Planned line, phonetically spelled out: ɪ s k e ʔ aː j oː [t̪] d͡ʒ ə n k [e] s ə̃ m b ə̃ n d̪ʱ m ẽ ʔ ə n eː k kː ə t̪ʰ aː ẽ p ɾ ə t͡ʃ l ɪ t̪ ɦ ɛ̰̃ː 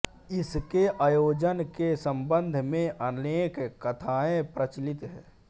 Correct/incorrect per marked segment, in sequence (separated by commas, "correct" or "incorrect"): incorrect, correct